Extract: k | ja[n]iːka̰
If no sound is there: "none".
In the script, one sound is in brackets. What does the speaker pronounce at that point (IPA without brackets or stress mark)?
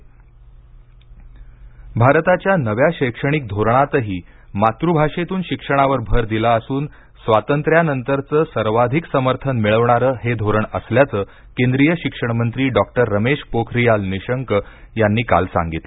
nː